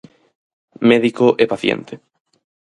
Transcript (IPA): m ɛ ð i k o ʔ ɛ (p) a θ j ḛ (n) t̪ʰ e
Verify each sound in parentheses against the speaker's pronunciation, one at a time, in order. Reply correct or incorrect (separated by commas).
correct, correct